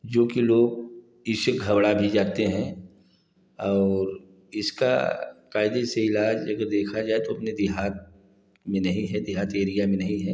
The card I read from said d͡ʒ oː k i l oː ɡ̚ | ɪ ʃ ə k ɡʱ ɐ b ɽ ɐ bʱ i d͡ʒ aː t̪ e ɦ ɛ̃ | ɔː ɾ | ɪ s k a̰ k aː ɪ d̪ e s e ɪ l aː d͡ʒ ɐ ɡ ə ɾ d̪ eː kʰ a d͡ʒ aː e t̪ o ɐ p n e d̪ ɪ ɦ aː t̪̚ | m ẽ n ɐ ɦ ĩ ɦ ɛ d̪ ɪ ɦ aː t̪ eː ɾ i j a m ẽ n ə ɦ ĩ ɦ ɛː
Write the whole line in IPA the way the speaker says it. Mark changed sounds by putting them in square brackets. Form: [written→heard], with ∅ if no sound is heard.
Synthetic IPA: d͡ʒ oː k i l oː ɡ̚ | ɪ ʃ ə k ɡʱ ɐ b ɽ [ɐ→a] bʱ i d͡ʒ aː t̪ e ɦ ɛ̃ | ɔː ɾ | ɪ s k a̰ k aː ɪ d̪ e s e ɪ l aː d͡ʒ ɐ ɡ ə ɾ d̪ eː kʰ a d͡ʒ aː e t̪ o ɐ p n e d̪ ɪ ɦ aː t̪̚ | m ẽ n ɐ ɦ ĩ ɦ ɛ d̪ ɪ ɦ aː t̪ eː ɾ i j a m ẽ n [ə→ɐ] ɦ ĩ ɦ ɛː